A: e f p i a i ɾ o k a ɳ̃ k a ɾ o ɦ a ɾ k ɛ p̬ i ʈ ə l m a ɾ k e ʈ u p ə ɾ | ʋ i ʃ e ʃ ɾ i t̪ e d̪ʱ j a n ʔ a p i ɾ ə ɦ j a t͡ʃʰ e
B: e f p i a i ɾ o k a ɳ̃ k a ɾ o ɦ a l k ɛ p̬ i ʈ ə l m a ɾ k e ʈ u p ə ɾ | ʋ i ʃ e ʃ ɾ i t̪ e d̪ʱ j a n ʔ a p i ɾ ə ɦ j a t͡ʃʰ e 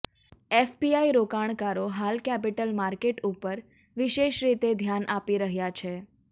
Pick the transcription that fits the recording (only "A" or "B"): B